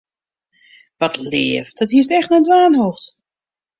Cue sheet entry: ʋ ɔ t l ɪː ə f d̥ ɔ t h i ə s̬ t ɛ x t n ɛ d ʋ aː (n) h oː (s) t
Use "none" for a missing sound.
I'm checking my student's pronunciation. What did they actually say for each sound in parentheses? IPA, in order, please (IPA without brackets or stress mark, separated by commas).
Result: n, x